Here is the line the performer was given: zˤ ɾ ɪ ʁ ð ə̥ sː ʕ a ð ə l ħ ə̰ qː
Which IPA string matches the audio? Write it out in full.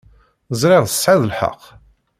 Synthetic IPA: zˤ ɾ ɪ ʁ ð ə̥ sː ʕ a ð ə l ħ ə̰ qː